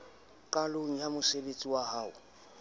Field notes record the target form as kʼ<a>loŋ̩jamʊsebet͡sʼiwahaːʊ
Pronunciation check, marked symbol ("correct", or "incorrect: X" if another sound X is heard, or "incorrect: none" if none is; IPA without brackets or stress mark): correct